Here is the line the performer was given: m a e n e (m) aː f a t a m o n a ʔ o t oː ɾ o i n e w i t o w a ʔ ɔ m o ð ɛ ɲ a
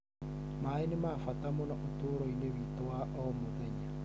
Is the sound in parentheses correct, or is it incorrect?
correct